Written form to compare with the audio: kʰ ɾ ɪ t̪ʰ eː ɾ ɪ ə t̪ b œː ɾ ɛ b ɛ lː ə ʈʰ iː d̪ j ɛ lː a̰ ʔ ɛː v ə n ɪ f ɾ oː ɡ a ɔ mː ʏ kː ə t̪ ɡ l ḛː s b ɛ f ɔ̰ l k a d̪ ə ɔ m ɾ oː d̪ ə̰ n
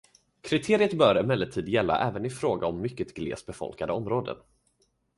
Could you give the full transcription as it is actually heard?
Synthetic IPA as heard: kʰ ɾ ɪ t̪ʰ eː ɾ ɪ ə t̪ b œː ɾ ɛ m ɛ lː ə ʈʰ iː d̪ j ɛ lː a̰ ʔ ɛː v ə n ɪ f ɾ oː ɡ a ɔ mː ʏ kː ə t̪ ɡ l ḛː s b ɛ f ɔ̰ l k a d̪ ə ɔ m ɾ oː d̪ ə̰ n